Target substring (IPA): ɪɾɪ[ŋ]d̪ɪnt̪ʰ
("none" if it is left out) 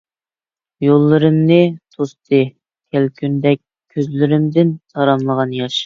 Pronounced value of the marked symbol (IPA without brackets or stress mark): m